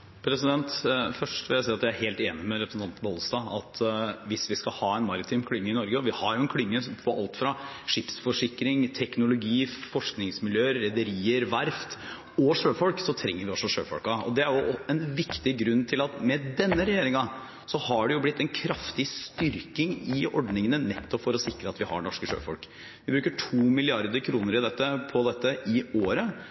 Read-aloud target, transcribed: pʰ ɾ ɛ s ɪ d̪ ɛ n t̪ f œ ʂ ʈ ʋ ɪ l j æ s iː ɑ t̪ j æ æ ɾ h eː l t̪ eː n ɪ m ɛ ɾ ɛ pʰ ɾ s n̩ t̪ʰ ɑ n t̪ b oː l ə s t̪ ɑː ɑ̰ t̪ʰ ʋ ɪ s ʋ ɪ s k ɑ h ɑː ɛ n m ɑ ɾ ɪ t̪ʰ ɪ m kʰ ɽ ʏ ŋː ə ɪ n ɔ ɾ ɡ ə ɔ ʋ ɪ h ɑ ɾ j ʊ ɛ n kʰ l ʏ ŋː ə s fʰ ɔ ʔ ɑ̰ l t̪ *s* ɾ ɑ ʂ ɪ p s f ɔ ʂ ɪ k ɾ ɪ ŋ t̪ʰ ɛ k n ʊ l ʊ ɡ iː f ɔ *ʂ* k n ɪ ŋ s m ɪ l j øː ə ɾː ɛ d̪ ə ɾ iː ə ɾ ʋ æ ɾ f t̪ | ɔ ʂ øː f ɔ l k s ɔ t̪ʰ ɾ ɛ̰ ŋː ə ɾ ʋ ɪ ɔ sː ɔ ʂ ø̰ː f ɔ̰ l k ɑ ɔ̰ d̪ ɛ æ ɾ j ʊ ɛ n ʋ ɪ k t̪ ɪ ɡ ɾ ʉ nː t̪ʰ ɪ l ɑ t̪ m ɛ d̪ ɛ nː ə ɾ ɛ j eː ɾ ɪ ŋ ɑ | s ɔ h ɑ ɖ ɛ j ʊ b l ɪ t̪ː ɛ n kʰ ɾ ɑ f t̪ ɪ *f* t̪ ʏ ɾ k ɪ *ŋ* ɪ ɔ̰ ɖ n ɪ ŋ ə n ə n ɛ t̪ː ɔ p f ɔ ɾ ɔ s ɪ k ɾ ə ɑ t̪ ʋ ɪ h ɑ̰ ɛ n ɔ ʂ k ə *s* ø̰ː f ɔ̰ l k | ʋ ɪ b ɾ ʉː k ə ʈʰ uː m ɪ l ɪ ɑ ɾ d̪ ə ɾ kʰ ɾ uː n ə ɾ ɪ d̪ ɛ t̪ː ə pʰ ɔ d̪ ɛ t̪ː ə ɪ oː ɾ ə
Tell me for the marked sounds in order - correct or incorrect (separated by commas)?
incorrect, correct, incorrect, correct, incorrect